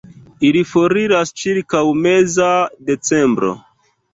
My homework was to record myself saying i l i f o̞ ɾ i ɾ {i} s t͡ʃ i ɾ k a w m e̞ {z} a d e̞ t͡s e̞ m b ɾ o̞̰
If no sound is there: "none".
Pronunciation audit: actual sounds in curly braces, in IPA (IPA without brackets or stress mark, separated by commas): a, z